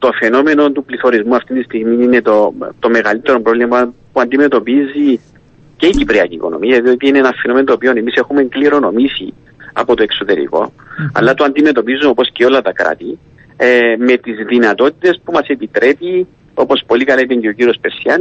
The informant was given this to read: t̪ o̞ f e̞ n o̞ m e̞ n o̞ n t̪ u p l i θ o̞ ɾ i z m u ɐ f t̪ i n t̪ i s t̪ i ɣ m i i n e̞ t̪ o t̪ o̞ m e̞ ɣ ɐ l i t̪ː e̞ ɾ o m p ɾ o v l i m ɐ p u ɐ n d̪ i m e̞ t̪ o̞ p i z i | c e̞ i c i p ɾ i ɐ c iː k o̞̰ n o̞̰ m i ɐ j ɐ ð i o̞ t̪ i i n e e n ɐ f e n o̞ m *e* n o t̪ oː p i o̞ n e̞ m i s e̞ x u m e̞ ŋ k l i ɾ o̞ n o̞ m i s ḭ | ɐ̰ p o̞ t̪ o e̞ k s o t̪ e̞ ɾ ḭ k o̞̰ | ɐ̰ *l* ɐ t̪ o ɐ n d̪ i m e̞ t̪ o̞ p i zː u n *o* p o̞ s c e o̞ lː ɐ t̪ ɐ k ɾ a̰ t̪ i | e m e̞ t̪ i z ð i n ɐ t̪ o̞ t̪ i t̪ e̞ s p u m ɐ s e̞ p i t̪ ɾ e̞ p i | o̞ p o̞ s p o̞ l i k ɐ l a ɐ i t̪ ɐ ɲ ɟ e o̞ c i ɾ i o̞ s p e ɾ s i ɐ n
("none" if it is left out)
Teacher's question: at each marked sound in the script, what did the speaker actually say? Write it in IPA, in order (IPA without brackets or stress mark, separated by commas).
e, lː, o